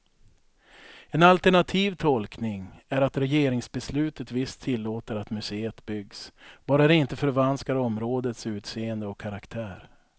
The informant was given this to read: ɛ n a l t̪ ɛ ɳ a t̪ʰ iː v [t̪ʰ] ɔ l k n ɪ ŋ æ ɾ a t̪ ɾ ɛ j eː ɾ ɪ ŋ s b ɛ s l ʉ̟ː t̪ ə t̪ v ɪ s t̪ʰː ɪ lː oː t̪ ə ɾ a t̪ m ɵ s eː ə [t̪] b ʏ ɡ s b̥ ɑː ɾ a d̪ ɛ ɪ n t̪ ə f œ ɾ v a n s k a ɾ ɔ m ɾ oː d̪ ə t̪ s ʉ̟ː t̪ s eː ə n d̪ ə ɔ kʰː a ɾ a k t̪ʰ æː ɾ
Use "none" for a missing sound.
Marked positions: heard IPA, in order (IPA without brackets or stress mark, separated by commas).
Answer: t̪ʰ, t̪